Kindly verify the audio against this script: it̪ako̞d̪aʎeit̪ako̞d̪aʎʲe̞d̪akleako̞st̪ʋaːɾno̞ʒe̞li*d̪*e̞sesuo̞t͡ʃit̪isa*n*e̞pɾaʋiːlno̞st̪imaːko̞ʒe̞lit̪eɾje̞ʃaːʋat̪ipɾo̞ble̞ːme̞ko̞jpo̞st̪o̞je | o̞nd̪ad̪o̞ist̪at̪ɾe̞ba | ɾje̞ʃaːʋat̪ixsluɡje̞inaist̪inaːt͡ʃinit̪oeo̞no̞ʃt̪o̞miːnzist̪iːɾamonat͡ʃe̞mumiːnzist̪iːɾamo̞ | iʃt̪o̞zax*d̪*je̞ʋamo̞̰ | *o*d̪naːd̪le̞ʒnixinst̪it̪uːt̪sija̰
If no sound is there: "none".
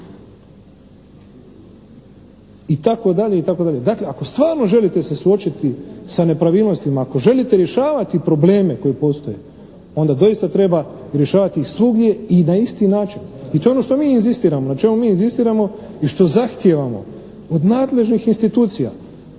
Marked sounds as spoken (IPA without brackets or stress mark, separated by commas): t̪, n, t̪, o